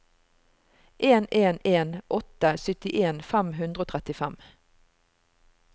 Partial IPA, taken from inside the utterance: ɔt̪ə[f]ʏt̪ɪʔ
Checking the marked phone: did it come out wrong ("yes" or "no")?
yes